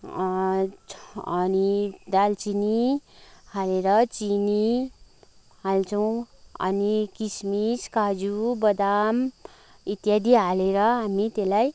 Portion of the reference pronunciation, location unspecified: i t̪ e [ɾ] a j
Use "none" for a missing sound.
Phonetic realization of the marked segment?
l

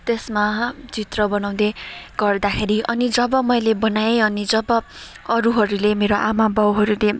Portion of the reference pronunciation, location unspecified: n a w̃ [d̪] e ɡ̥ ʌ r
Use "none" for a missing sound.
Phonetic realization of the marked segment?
d̪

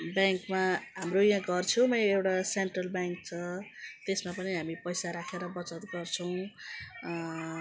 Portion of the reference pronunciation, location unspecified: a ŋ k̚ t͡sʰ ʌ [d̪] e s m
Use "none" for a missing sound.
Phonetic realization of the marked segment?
t̪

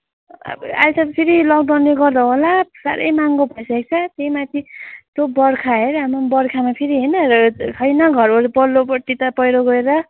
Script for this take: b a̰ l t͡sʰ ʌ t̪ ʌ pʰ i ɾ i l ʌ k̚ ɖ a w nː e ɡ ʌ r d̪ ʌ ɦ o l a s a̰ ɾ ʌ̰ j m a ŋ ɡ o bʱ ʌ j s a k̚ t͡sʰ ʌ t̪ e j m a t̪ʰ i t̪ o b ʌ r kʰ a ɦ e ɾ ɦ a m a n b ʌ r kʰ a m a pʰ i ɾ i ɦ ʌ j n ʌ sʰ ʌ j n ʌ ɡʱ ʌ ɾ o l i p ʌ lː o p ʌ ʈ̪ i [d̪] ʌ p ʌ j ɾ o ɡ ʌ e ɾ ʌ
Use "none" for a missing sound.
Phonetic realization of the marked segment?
t̪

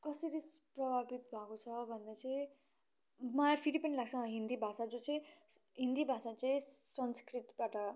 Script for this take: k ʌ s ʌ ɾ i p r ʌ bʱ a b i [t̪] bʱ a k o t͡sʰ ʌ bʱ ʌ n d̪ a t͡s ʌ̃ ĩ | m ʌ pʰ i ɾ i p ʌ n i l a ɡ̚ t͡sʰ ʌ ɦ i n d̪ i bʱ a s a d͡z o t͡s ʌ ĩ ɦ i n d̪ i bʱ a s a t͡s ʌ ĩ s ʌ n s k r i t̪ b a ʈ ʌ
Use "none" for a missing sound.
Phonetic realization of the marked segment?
t̪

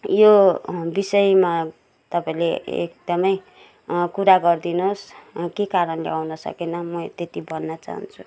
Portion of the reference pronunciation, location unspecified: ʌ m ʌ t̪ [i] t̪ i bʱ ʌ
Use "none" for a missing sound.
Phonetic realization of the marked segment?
e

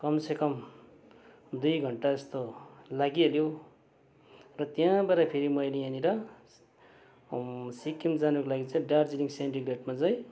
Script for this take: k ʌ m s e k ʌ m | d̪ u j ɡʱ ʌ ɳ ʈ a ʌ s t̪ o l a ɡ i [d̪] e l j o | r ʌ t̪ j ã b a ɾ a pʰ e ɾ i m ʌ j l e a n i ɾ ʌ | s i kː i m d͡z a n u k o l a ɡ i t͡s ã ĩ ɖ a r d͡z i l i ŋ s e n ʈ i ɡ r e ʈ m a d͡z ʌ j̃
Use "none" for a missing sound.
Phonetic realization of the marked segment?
none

